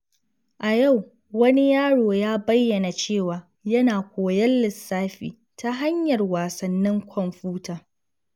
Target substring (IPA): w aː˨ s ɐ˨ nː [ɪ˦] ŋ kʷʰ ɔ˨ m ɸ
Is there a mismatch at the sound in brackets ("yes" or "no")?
no